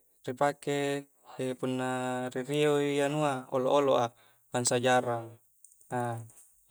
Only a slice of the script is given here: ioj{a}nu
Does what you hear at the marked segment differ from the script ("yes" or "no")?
no